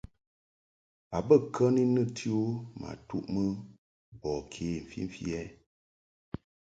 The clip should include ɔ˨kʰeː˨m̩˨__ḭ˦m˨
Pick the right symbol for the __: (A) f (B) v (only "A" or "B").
A